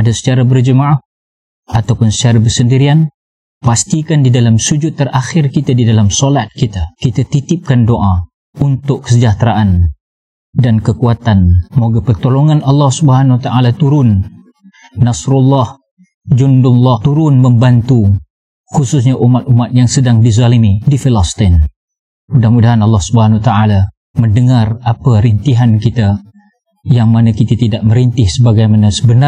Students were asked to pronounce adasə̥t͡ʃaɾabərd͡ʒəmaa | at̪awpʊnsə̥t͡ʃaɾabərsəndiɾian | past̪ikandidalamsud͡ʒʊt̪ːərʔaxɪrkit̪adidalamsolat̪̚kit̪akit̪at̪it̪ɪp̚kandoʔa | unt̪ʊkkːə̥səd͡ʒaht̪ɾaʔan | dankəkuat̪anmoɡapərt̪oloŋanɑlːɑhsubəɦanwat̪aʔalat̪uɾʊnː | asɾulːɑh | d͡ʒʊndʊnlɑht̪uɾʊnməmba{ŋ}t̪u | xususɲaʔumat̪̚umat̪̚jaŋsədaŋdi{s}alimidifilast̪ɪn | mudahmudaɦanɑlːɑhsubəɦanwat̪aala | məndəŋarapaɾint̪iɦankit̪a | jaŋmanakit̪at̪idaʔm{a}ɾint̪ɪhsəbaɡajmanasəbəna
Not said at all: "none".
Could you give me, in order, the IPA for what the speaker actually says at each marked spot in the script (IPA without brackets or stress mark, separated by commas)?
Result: n, z, ə